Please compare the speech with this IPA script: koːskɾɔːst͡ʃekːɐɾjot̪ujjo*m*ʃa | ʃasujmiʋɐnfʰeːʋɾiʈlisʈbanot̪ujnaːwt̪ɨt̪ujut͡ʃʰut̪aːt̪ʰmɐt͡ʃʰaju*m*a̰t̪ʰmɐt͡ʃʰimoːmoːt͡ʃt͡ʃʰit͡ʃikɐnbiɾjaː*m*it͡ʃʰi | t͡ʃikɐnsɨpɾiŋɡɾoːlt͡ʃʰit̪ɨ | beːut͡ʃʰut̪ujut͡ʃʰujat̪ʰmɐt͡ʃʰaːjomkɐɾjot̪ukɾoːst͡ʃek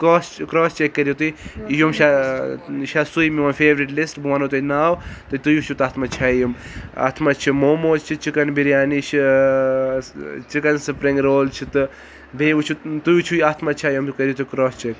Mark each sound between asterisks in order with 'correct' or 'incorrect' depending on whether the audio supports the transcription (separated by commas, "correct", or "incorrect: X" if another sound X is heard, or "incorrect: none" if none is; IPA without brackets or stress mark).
correct, correct, incorrect: n